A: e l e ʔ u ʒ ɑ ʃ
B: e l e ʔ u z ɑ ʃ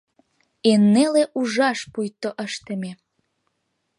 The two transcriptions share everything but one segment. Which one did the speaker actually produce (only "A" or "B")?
A